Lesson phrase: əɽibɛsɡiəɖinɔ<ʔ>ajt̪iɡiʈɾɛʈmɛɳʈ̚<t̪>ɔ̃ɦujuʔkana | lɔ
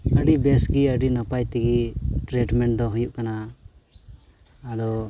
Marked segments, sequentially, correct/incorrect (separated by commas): incorrect, incorrect